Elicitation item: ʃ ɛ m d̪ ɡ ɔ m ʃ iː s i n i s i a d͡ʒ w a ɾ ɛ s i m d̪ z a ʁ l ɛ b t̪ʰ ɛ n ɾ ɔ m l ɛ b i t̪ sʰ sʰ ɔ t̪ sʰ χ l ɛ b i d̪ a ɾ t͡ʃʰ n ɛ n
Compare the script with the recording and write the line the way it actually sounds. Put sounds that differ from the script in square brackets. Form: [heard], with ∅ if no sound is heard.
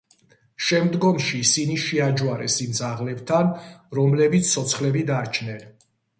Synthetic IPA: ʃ ɛ m d̪ ɡ ɔ m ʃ iː s i n i [ʃ] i a d͡ʒ w a ɾ ɛ s i m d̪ z a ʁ l ɛ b t̪ʰ [a] n ɾ ɔ m l ɛ b i t̪ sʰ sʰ ɔ t̪ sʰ χ l ɛ b i d̪ a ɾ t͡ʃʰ n ɛ n